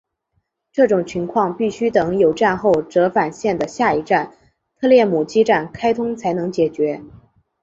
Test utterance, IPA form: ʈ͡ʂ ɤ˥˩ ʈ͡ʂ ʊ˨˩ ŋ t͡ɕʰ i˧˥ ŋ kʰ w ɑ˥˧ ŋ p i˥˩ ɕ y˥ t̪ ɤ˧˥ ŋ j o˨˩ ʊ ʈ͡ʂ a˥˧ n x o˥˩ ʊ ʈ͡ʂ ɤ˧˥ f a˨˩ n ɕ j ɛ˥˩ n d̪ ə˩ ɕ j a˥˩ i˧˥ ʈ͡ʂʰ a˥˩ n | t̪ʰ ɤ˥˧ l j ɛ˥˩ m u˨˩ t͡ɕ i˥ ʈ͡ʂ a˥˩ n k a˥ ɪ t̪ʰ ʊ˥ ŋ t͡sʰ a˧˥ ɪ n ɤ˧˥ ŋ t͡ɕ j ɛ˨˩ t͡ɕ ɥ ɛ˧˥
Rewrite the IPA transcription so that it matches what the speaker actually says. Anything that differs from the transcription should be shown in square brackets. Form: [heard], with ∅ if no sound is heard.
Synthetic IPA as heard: ʈ͡ʂ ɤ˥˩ ʈ͡ʂ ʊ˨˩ ŋ t͡ɕʰ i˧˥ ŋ kʰ w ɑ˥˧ ŋ p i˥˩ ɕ y˥ t̪ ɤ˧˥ ŋ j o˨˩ ʊ ʈ͡ʂ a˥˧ n x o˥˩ ʊ ʈ͡ʂ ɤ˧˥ f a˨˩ n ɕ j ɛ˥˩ n d̪ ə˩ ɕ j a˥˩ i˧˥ [ʈ͡ʂ] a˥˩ n | t̪ʰ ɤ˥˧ l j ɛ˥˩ m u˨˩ t͡ɕ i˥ ʈ͡ʂ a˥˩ n [kʰ] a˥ ɪ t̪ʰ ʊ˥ ŋ t͡sʰ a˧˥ ɪ n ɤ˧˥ ŋ t͡ɕ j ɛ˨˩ t͡ɕ ɥ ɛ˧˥

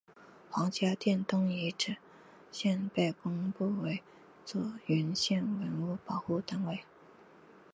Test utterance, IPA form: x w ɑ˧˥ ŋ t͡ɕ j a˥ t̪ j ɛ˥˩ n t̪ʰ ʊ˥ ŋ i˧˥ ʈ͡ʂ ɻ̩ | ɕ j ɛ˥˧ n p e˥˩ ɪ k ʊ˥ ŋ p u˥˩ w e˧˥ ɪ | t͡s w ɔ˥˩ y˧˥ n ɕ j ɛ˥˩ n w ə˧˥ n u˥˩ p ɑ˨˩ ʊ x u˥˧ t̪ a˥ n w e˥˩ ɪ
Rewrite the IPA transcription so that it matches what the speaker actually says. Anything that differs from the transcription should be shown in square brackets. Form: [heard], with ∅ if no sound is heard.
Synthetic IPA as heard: x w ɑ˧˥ ŋ t͡ɕ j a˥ t̪ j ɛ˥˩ n [t̪] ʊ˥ ŋ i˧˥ ʈ͡ʂ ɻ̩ | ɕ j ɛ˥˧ n p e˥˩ ɪ k ʊ˥ ŋ p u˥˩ w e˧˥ ɪ | t͡s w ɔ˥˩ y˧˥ n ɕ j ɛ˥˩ n w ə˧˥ n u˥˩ p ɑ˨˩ ʊ x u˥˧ t̪ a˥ n w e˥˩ ɪ

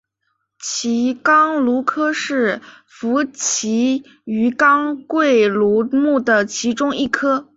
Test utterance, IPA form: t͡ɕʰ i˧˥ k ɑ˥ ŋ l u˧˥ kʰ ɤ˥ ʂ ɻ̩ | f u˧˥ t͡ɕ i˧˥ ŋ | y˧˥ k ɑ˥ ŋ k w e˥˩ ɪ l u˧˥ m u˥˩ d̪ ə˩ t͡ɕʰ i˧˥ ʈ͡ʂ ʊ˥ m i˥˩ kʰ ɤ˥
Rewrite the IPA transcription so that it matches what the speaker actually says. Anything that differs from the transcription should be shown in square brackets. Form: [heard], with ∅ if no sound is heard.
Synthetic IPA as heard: t͡ɕʰ i˧˥ k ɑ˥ ŋ l u˧˥ kʰ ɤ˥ ʂ ɻ̩ | f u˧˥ [t͡ɕʰ] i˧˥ [∅] | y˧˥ k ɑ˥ ŋ k w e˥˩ ɪ l u˧˥ m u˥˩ d̪ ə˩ t͡ɕʰ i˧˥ ʈ͡ʂ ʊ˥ [ŋ] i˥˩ kʰ ɤ˥

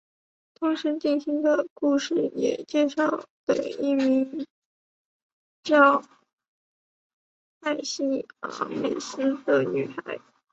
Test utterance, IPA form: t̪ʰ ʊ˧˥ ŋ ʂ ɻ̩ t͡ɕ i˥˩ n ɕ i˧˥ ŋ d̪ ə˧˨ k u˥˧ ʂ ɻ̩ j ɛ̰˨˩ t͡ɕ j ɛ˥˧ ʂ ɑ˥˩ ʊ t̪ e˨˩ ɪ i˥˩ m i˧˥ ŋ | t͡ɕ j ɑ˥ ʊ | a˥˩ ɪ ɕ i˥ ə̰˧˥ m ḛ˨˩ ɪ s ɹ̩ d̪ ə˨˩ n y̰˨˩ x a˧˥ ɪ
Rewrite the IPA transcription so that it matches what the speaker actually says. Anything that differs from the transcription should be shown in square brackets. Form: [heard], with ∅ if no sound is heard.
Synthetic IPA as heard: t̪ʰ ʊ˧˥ ŋ ʂ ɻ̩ t͡ɕ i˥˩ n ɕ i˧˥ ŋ d̪ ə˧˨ k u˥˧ ʂ ɻ̩ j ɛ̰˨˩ t͡ɕ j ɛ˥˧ ʂ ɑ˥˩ ʊ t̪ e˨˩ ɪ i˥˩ m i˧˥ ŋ | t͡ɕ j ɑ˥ ʊ | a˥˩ ɪ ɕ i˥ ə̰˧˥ m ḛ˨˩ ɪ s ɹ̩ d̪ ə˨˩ n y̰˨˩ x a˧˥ ɪ

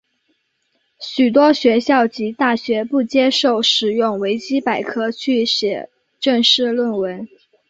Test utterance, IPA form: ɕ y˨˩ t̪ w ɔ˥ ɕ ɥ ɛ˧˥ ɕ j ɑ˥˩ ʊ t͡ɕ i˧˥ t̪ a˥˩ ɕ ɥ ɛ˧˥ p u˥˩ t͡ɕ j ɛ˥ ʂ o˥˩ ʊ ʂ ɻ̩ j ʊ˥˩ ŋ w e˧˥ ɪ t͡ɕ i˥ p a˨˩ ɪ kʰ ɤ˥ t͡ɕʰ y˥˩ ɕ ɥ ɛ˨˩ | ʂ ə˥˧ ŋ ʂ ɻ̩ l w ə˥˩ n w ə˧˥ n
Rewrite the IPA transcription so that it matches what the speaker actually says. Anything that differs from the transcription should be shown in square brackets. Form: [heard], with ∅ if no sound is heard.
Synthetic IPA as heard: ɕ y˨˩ t̪ w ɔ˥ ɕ ɥ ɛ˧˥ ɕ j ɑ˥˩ ʊ t͡ɕ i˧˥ t̪ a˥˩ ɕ ɥ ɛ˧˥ p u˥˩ t͡ɕ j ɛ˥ ʂ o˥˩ ʊ ʂ ɻ̩ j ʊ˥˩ ŋ w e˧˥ ɪ t͡ɕ i˥ p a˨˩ ɪ kʰ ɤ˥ t͡ɕʰ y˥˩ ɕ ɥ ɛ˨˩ | [ʈ͡ʂ] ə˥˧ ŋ ʂ ɻ̩ l w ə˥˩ n w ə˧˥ n

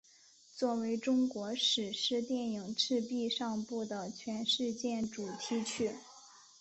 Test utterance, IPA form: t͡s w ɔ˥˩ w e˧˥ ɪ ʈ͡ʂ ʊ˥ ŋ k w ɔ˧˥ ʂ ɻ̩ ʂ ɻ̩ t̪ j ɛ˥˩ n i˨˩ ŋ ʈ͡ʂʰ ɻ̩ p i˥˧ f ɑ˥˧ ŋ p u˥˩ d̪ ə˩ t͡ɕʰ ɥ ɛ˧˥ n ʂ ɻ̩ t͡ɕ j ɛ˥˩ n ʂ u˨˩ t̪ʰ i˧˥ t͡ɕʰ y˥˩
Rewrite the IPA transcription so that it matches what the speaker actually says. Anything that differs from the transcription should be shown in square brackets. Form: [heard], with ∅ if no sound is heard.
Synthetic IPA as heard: t͡s w ɔ˥˩ w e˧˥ ɪ ʈ͡ʂ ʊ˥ ŋ k w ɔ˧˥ ʂ ɻ̩ ʂ ɻ̩ t̪ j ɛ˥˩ n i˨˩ ŋ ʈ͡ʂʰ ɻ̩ p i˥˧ [ʂ] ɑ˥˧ ŋ p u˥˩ d̪ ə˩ t͡ɕʰ ɥ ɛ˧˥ n ʂ ɻ̩ t͡ɕ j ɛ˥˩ n [ʈ͡ʂ] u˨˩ t̪ʰ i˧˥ t͡ɕʰ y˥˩

